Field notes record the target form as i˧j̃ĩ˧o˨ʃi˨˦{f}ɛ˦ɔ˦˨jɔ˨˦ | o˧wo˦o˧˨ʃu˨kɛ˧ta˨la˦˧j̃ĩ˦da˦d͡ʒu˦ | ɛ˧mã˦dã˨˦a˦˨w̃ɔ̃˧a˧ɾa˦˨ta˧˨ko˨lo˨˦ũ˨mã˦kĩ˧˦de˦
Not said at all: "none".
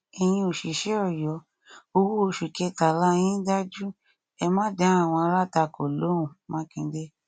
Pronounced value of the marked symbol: ʃ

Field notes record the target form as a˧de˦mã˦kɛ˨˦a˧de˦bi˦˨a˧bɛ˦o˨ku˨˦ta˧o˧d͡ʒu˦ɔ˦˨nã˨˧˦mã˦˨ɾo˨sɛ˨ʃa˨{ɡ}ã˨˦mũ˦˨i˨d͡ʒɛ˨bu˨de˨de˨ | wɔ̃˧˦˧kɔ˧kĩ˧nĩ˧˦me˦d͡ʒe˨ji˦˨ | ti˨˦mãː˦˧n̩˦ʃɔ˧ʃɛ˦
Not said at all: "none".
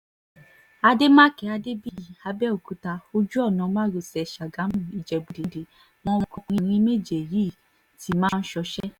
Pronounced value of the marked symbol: ɡ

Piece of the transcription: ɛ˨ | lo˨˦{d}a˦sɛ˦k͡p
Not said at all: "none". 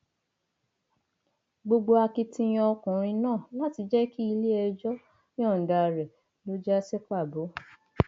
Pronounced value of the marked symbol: d͡ʒ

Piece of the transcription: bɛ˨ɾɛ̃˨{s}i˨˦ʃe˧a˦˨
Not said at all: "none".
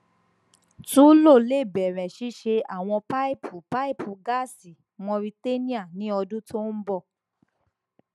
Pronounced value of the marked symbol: ʃ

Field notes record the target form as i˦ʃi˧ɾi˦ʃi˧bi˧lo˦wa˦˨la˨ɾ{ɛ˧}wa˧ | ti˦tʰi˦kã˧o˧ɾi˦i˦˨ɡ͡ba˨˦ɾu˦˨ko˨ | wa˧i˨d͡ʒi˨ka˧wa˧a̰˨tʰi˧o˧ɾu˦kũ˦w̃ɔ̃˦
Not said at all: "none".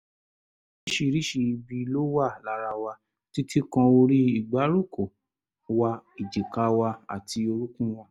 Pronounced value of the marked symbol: a˧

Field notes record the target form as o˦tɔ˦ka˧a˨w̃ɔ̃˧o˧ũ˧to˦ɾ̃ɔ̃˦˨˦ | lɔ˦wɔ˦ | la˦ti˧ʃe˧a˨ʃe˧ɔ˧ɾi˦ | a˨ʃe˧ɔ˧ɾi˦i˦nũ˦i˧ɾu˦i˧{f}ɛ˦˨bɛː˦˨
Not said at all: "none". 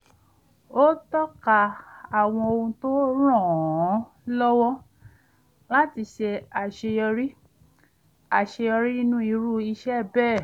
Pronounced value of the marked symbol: ʃ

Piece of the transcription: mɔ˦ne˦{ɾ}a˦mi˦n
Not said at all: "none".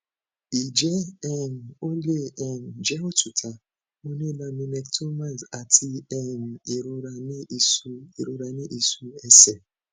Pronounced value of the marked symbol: l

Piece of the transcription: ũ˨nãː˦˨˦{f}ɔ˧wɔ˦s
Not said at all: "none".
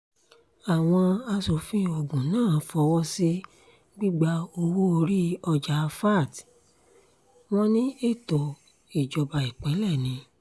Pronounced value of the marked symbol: f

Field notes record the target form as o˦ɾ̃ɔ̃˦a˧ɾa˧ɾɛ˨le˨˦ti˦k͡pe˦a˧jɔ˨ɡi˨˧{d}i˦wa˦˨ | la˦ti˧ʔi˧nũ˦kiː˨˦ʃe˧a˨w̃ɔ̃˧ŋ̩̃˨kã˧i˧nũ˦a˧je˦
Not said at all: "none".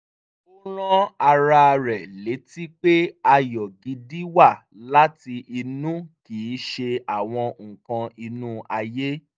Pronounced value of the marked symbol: d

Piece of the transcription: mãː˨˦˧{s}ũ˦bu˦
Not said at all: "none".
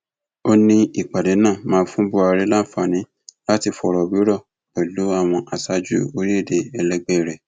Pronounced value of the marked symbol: f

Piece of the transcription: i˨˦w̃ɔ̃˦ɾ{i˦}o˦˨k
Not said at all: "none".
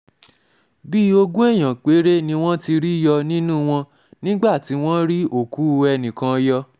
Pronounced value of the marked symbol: i˦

